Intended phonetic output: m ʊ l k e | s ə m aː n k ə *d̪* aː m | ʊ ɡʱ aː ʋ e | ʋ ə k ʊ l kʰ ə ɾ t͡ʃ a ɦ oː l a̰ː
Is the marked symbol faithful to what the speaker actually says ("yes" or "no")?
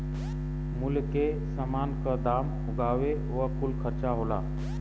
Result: yes